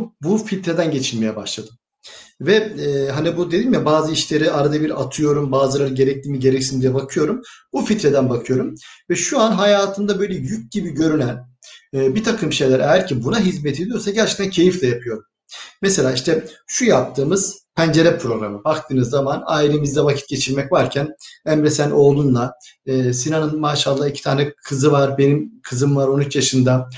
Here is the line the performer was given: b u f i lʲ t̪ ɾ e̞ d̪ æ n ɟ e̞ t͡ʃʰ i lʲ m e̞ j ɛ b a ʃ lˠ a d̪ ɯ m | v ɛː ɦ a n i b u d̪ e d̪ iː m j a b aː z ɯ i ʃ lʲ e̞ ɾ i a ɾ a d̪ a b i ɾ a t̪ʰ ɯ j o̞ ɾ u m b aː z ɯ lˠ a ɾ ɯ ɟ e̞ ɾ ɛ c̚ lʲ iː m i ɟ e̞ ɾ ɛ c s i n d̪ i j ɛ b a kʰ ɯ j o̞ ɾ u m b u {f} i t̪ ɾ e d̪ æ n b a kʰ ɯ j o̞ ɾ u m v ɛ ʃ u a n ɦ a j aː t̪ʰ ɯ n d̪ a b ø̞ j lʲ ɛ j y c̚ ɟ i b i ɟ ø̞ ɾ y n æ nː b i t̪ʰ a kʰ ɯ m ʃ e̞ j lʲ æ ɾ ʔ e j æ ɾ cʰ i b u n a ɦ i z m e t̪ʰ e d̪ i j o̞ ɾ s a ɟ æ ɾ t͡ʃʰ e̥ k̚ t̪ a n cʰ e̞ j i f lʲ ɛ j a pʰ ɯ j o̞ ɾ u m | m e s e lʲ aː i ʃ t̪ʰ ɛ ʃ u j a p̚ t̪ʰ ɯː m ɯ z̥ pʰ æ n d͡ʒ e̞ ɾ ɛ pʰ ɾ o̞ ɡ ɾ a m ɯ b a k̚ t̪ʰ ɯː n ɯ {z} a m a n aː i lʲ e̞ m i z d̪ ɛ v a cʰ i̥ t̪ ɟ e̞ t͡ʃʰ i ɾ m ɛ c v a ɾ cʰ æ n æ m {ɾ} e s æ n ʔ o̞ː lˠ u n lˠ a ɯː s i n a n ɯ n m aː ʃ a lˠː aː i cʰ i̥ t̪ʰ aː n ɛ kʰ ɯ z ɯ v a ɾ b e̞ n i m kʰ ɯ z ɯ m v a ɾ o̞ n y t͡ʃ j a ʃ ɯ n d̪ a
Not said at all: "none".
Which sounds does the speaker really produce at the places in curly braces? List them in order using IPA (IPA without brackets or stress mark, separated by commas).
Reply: f, zː, ɾ